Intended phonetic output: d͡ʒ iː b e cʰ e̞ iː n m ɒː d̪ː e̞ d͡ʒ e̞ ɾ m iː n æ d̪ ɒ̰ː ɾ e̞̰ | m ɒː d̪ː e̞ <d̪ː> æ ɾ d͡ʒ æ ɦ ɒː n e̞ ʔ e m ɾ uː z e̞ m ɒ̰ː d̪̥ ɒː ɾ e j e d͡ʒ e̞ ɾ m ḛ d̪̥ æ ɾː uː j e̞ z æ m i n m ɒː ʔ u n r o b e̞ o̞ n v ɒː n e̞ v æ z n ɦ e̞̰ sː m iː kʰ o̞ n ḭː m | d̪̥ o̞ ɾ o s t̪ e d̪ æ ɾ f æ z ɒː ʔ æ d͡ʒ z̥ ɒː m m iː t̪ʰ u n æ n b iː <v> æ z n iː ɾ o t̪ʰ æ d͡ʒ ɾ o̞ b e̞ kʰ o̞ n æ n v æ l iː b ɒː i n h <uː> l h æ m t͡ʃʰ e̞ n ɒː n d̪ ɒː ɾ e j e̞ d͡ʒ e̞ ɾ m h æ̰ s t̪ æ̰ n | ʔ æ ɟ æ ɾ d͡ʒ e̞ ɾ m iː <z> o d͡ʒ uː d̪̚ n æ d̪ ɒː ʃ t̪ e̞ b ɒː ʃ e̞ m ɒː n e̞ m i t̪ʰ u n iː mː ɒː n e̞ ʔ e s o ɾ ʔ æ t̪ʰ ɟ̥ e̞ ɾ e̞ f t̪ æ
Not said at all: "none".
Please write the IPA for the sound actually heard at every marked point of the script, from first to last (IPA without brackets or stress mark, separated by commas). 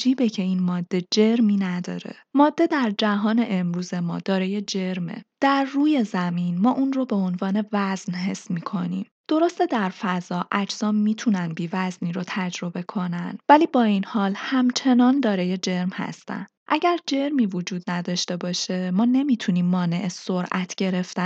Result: d̪, v, ɒː, v